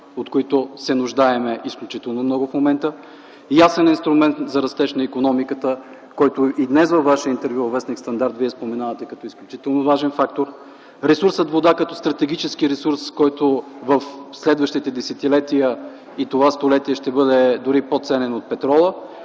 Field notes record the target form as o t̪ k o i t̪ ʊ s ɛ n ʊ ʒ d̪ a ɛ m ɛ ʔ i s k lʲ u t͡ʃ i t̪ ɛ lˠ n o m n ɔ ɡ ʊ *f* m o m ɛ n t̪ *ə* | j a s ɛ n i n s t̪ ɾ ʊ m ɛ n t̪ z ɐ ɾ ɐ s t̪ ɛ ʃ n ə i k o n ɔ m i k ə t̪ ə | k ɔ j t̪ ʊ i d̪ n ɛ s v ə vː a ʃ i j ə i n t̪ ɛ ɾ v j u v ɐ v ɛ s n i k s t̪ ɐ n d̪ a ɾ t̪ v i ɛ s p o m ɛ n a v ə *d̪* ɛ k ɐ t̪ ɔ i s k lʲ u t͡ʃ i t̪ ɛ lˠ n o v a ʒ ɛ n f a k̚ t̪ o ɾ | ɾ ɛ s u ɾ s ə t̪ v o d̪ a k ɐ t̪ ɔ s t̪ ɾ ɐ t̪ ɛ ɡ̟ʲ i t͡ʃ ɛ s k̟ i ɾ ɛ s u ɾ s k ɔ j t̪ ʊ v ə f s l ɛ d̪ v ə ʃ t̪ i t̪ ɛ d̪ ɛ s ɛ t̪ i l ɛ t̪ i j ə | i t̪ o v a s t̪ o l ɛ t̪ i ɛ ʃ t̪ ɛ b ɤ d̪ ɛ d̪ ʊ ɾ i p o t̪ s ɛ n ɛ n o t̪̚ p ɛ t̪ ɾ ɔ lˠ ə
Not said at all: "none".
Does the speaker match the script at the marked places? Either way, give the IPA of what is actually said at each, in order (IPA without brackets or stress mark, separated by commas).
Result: f, ə, t̪